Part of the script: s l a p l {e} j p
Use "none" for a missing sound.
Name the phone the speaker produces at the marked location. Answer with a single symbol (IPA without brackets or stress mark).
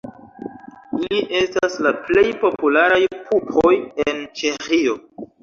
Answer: e